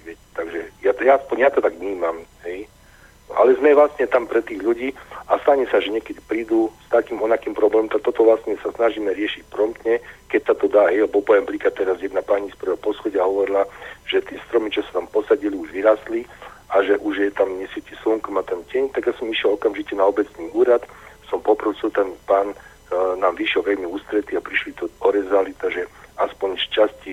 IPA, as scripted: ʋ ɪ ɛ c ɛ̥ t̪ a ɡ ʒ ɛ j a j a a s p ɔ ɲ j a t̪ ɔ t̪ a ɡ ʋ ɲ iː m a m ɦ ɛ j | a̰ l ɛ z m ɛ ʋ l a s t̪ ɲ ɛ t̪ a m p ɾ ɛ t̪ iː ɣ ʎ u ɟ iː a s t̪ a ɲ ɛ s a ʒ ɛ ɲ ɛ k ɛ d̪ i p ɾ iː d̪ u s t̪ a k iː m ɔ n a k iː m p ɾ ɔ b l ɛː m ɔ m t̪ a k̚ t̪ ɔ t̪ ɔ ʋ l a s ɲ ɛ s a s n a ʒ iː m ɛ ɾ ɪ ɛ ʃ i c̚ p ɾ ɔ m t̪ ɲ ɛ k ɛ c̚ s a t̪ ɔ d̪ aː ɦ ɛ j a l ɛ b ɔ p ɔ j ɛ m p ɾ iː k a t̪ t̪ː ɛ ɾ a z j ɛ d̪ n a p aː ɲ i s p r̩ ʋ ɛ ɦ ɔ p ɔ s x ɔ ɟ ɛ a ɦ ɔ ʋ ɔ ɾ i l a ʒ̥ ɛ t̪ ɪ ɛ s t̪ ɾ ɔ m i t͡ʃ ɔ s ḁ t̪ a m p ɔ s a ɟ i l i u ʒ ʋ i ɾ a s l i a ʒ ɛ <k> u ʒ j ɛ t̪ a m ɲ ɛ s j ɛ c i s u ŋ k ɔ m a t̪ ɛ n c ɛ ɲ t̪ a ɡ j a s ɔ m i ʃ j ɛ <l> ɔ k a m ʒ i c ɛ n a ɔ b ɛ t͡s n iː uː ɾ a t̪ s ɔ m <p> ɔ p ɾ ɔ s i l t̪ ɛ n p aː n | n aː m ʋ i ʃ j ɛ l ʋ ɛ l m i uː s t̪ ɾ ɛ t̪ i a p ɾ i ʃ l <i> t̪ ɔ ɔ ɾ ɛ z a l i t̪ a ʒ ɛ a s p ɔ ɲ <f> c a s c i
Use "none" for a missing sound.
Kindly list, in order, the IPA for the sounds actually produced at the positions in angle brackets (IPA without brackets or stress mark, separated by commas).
ʔ, l, p, i, ʃ